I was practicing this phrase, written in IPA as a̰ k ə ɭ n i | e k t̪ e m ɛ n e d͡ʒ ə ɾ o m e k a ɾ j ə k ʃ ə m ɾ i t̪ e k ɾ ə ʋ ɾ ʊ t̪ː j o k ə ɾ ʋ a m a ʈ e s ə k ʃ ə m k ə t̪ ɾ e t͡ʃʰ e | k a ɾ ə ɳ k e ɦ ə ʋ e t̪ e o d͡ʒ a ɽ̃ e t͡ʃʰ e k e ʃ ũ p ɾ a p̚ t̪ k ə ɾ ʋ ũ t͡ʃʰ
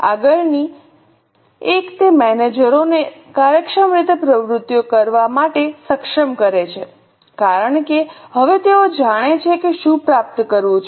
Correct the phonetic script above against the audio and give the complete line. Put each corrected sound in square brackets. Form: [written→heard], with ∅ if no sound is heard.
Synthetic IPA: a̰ [k→ɡ] ə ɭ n i | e k t̪ e m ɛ n e d͡ʒ ə ɾ o [m→n] e k a ɾ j ə k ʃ ə m ɾ i t̪ e [k→p] ɾ ə ʋ ɾ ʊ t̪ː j o k ə ɾ ʋ a m a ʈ e s ə k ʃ ə m k ə [t̪→∅] ɾ e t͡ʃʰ e | k a ɾ ə ɳ k e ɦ ə ʋ e t̪ e o d͡ʒ a ɽ̃ e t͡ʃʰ e k e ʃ ũ p ɾ a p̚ t̪ k ə ɾ ʋ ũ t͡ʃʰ